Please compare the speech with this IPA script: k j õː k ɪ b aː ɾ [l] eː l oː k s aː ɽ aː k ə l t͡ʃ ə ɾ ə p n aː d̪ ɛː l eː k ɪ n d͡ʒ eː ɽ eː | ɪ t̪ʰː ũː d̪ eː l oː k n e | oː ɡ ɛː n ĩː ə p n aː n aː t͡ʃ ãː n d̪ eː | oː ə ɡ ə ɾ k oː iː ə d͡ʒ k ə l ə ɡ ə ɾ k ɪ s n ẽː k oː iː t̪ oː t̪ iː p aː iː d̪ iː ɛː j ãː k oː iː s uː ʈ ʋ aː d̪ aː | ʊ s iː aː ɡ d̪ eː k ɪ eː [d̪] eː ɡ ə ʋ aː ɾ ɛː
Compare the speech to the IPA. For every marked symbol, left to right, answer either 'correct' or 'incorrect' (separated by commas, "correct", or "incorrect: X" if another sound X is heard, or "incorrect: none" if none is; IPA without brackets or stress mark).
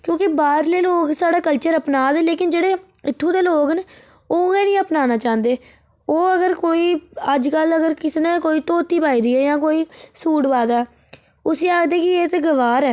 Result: correct, incorrect: t̪